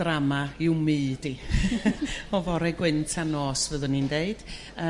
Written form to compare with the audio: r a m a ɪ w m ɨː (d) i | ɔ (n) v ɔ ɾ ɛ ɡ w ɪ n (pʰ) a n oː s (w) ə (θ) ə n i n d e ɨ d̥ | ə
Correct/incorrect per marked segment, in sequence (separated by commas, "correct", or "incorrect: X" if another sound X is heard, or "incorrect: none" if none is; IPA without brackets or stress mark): correct, incorrect: none, incorrect: tʰ, incorrect: v, incorrect: ð